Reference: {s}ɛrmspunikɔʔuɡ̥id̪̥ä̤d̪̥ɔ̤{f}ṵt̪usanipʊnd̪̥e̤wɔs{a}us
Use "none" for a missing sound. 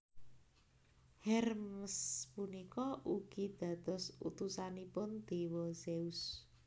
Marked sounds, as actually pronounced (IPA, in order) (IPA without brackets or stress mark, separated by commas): h, s, e